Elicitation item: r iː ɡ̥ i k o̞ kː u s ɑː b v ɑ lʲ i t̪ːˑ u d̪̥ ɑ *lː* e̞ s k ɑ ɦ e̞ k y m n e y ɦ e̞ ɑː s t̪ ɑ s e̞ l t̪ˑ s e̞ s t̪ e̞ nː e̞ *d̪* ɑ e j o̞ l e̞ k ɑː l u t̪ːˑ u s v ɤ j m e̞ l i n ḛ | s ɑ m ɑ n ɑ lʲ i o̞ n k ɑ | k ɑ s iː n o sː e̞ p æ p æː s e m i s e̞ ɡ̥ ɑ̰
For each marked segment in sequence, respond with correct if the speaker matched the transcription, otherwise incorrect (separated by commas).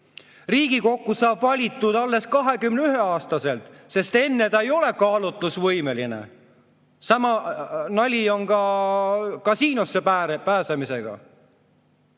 correct, incorrect